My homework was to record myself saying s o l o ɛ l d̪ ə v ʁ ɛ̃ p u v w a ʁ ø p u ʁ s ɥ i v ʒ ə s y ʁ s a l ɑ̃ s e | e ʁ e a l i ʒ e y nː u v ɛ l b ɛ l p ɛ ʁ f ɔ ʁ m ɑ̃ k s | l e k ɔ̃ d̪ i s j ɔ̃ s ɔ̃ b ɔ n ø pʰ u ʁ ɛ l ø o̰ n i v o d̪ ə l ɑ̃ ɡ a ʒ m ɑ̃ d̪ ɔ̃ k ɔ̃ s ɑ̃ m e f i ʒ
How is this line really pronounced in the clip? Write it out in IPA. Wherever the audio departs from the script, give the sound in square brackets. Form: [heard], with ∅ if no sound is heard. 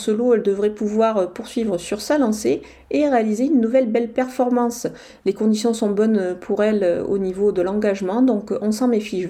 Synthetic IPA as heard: s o l o ɛ l d̪ ə v ʁ [ɛ] p u v w a ʁ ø p u ʁ s ɥ i v [ʁ] ə s y ʁ s a l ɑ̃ s e | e ʁ e a l i [z] e y nː u v ɛ l b ɛ l p ɛ ʁ f ɔ ʁ m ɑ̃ [∅] s | l e k ɔ̃ d̪ i s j ɔ̃ s ɔ̃ b ɔ n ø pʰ u ʁ ɛ l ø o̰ n i v o d̪ ə l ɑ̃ ɡ a ʒ m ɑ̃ d̪ ɔ̃ k ɔ̃ s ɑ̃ m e f i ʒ